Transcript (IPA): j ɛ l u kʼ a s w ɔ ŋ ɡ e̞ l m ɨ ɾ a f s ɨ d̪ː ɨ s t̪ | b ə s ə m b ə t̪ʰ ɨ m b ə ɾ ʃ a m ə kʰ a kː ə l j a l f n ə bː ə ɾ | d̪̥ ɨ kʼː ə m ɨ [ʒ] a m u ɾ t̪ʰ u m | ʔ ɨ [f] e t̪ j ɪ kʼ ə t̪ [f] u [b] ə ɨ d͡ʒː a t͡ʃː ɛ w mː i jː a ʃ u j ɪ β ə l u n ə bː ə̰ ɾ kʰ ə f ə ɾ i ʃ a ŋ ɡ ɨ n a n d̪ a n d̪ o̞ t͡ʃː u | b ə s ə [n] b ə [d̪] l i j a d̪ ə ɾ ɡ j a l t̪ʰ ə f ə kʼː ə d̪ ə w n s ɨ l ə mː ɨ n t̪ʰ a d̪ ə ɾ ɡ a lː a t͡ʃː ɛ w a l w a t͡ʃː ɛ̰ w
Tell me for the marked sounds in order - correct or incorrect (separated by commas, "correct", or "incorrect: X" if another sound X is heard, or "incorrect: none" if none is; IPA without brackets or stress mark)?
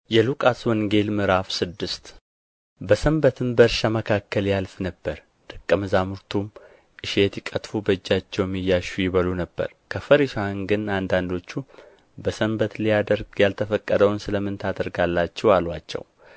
incorrect: z, incorrect: ʃ, correct, correct, incorrect: m, incorrect: t̪